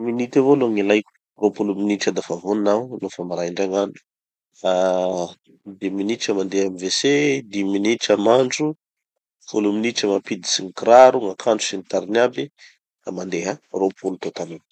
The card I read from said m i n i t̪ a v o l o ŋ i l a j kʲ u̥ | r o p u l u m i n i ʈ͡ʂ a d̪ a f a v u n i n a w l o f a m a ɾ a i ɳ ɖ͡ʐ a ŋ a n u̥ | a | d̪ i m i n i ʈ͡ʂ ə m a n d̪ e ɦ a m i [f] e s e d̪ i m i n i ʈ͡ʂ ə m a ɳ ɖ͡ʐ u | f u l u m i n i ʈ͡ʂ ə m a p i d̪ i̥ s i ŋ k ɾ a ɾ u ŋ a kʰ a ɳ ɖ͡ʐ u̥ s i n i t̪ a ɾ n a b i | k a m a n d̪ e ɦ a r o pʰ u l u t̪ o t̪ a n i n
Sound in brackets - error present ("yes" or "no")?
yes